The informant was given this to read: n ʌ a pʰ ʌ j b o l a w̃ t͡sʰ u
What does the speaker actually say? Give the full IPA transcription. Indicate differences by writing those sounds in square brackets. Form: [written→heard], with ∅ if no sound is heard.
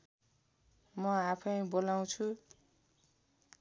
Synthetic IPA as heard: [n→m] ʌ a pʰ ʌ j b o l a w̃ t͡sʰ u